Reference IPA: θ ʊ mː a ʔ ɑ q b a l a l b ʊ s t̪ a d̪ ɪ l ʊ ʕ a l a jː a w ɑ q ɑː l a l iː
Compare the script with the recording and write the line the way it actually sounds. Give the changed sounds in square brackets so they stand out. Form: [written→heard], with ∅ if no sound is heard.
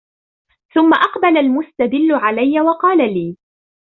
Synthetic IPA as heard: θ ʊ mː a ʔ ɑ q b a l a l [b→m] ʊ s t̪ a d̪ ɪ [l→lː] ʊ ʕ a l a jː a w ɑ q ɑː l a l iː